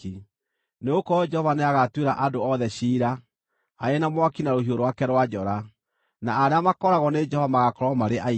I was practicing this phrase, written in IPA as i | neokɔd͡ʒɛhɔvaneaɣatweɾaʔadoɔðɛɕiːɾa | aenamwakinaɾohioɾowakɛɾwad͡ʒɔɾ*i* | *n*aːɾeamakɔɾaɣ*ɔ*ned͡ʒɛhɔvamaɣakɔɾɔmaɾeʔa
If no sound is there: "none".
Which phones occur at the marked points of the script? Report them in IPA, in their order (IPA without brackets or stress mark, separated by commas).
a, n, ɔ